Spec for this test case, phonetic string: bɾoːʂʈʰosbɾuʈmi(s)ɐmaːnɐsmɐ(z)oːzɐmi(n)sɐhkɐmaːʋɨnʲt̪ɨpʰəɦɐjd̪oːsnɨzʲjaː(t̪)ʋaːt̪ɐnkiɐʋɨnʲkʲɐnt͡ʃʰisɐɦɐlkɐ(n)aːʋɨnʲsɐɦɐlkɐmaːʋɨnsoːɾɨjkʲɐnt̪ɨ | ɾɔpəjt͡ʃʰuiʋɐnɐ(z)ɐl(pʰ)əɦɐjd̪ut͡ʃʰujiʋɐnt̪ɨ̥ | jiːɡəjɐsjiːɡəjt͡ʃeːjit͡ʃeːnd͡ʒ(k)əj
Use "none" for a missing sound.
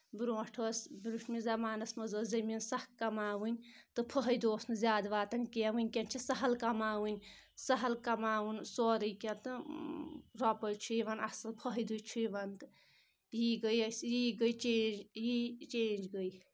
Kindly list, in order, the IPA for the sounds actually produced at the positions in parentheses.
z, z, n, d̪, m, s, pʰ, ɡ

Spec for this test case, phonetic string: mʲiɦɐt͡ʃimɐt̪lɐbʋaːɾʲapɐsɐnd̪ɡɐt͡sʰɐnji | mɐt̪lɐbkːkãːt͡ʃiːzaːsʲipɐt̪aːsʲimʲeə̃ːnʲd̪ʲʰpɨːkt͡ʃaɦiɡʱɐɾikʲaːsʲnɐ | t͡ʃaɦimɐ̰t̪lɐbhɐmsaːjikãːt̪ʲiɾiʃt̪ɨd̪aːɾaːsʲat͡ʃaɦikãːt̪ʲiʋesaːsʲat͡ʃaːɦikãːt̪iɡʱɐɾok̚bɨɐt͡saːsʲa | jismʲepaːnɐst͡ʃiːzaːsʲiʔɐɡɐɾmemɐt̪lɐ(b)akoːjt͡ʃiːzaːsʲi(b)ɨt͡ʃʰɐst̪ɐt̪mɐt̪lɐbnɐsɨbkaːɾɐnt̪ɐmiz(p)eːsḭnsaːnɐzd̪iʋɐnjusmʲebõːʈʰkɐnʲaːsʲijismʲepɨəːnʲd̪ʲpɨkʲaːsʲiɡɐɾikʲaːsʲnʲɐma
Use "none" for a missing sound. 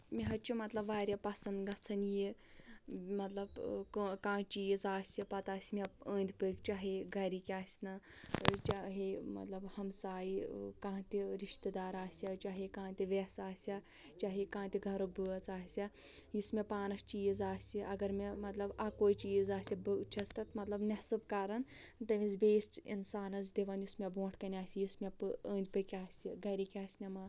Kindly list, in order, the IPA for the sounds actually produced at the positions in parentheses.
b, b, b

